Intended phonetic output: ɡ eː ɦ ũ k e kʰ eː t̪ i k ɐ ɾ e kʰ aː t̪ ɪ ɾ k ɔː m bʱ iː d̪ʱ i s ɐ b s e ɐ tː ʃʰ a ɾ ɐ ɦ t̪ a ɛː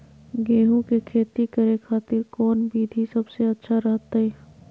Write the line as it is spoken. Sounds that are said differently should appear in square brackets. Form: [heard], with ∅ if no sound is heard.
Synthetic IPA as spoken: ɡ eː ɦ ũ k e kʰ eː t̪ i k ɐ ɾ e kʰ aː t̪ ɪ ɾ k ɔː [n] bʱ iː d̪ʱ i s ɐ b s e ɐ tː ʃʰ a ɾ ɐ ɦ t̪ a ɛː